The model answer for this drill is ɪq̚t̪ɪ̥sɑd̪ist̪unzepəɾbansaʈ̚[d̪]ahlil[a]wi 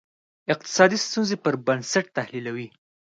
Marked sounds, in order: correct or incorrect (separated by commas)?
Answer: incorrect, correct